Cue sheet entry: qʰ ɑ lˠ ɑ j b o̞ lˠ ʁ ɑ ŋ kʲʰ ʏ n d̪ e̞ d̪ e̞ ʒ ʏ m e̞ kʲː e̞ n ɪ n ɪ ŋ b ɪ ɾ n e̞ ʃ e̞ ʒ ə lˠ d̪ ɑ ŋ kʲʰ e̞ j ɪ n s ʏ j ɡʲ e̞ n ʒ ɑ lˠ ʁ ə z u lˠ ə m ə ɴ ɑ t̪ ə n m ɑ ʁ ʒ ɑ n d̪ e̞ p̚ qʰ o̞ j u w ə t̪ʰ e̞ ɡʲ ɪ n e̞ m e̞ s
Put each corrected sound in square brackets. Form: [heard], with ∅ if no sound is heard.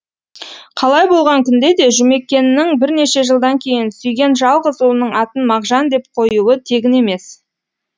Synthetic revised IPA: qʰ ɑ lˠ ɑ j b o̞ lˠ ʁ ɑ ŋ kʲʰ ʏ n d̪ e̞ d̪ e̞ ʒ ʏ m e̞ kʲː e̞ n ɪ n ɪ ŋ b ɪ ɾ n e̞ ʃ e̞ ʒ ə lˠ d̪ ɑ ŋ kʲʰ e̞ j ɪ n s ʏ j ɡʲ e̞ n ʒ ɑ lˠ ʁ ə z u lˠ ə [n] ə ɴ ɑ t̪ ə n m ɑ ʁ ʒ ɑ n d̪ e̞ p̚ qʰ o̞ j u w ə t̪ʰ e̞ ɡʲ ɪ n e̞ m e̞ s